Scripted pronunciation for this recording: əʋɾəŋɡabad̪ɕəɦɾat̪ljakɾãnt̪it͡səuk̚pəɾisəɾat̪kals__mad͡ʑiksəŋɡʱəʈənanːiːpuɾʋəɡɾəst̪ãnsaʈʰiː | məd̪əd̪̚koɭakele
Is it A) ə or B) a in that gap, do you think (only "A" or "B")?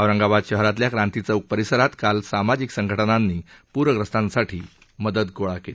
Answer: B